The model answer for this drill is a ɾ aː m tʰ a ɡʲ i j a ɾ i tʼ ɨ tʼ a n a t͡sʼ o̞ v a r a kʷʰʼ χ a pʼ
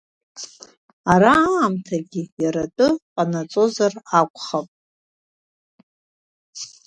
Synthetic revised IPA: a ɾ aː m tʰ a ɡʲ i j a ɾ a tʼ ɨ qʼ a n a t͡sʼ o̞ z a r a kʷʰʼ χ a pʼ